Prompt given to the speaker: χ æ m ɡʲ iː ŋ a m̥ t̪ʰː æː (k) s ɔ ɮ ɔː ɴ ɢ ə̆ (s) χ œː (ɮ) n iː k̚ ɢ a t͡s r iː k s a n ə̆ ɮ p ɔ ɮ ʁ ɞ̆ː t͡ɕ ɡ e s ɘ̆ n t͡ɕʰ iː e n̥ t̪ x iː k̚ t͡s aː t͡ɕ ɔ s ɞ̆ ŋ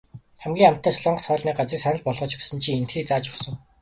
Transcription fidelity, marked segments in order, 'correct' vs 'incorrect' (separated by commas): incorrect, correct, correct